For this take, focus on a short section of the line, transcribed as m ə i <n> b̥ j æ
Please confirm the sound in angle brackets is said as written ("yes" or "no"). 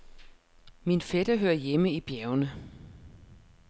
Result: no